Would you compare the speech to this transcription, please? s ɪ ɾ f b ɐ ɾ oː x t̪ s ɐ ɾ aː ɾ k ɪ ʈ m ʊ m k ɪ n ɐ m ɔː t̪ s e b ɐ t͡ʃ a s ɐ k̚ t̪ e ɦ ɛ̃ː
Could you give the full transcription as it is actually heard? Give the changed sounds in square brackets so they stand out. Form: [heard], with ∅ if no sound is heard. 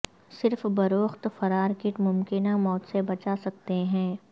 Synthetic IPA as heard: s ɪ ɾ f b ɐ ɾ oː x t̪ [f] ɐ ɾ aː ɾ k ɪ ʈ m ʊ m k ɪ n [a] m ɔː t̪ s e b ɐ t͡ʃ a s ɐ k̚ t̪ e ɦ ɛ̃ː